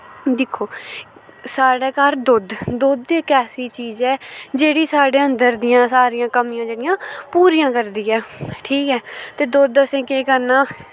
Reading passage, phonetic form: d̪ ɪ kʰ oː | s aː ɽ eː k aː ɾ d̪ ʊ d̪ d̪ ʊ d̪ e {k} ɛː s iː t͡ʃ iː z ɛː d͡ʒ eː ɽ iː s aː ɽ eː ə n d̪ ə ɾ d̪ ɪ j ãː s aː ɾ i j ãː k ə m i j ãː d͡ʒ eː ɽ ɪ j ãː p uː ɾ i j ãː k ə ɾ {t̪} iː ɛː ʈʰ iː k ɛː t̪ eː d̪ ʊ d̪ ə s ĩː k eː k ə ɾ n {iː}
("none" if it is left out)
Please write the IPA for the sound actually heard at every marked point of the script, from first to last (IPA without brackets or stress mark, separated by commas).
k, d̪, aː